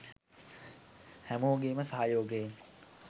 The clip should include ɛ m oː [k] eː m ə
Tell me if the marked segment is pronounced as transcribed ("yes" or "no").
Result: no